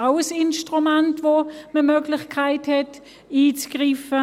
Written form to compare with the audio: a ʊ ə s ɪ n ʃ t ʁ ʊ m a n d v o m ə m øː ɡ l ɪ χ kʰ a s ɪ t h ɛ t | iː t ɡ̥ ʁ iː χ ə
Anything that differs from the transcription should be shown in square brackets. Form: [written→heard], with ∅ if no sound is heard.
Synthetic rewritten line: a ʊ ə s ɪ n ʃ t ʁ [ʊ→u] m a n [d→t] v o m ə m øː ɡ l ɪ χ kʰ a [s→∅] ɪ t h ɛ t | iː [t→t͡s] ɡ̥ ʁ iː [χ→f] ə